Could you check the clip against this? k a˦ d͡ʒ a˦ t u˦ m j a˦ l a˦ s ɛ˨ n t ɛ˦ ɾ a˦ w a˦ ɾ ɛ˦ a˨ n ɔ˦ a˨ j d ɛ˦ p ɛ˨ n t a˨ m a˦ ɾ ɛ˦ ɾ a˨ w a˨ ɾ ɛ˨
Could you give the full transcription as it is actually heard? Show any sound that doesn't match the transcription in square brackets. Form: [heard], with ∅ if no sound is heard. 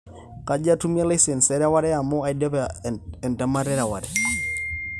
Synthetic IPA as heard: k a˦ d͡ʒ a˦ t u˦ m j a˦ l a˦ s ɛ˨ n [s] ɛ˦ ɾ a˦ w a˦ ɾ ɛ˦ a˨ [m] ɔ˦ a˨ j d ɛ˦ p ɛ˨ n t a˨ m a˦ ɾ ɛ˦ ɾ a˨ w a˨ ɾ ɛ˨